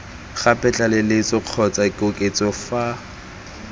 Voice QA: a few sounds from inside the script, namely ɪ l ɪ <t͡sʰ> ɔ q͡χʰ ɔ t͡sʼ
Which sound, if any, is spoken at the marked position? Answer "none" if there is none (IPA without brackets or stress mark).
t͡s